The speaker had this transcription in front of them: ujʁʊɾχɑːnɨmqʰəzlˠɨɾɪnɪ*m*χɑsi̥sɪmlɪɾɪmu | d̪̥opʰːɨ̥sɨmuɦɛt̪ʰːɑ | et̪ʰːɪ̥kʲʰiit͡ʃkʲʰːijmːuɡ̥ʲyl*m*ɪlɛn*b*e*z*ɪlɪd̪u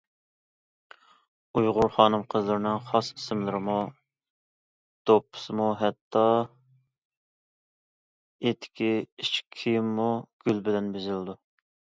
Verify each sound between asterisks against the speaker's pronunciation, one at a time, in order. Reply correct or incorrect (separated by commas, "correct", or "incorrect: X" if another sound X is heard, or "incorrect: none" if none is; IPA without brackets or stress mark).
incorrect: ŋ, incorrect: b, correct, correct